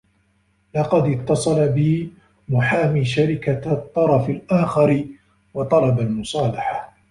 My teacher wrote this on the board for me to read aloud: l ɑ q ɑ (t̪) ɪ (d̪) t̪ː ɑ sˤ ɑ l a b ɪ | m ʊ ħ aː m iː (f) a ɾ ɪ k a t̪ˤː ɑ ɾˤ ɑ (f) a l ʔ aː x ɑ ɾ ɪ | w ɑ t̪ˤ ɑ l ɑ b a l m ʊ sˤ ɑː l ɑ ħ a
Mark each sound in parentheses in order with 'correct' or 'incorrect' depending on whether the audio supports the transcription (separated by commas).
incorrect, incorrect, incorrect, correct